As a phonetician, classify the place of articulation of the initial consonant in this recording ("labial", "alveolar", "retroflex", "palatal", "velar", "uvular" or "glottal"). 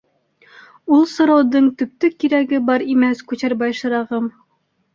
alveolar